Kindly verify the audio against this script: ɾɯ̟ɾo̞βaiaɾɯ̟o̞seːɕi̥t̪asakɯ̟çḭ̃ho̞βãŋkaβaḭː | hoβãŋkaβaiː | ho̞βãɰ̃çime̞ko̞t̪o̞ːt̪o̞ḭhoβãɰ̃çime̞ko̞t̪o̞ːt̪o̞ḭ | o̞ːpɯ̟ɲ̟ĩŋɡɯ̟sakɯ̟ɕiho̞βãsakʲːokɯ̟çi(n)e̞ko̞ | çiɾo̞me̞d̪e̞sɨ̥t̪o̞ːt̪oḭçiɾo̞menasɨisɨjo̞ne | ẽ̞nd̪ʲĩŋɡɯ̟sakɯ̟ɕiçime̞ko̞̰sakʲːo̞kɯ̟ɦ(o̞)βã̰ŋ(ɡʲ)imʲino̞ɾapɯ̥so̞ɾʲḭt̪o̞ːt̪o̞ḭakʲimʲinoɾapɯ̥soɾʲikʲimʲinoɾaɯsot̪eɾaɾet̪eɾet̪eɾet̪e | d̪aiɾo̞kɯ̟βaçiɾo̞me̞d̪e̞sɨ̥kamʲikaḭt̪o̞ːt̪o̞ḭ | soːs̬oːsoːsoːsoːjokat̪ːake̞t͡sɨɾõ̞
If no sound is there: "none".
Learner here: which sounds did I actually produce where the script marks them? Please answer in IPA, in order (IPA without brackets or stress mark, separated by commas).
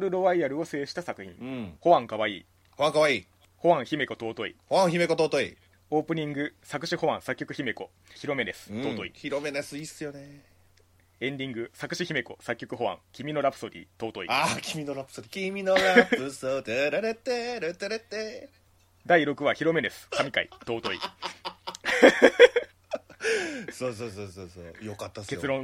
m, o̞, kʲ